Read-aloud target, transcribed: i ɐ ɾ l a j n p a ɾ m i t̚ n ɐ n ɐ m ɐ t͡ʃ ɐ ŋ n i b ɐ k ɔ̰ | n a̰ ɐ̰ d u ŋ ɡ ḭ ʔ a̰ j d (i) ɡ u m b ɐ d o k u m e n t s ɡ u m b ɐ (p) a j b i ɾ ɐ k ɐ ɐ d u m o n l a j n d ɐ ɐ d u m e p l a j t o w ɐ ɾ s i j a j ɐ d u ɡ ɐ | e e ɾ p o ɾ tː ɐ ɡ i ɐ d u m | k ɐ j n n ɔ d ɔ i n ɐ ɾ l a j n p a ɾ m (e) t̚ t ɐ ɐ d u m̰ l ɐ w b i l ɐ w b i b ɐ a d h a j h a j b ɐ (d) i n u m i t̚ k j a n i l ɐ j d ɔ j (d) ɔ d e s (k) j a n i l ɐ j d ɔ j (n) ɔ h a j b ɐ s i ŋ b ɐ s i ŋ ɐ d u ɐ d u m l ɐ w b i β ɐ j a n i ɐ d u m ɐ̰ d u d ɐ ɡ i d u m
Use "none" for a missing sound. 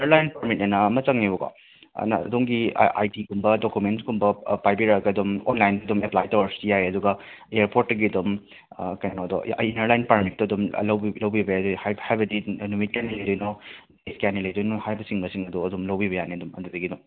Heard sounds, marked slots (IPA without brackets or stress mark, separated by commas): i, p, i, d, n, k, n